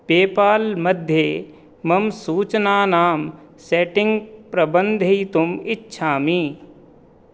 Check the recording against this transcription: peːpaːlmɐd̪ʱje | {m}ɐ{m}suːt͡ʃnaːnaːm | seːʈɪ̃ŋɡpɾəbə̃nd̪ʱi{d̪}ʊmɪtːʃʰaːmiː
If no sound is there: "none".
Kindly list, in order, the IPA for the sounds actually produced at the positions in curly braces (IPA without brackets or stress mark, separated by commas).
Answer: m, m, t̪